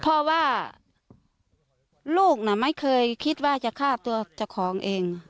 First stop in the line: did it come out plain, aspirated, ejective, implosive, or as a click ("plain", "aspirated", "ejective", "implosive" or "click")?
aspirated